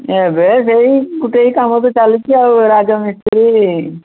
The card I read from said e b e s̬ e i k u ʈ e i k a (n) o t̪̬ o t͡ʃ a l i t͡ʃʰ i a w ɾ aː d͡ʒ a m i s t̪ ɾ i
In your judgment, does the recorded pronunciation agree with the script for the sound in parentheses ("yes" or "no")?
no